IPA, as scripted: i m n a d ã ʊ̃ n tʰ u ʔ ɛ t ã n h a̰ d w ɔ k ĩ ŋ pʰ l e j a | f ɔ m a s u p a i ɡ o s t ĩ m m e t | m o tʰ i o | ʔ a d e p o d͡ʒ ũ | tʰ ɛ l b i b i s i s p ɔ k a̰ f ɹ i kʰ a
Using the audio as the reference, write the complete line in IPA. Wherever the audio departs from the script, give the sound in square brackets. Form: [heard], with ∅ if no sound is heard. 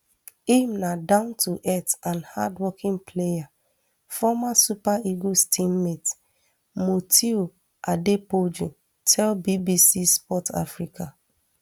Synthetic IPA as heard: i m n a d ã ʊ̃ n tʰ u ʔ ɛ t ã n h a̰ d w ɔ k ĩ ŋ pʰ l e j a | f ɔ m a s u p a i ɡ o s t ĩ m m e t | m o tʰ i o | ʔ a d e p o d͡ʒ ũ | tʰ ɛ l b i b i s i s p ɔ [t] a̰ f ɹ i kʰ a